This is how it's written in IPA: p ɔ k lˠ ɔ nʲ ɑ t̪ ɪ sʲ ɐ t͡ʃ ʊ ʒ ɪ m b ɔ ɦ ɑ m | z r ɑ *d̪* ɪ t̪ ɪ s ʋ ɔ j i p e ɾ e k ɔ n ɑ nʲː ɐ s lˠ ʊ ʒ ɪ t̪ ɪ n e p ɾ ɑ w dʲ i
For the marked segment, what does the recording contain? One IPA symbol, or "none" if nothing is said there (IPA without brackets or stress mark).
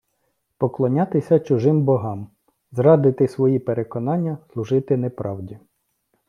d̪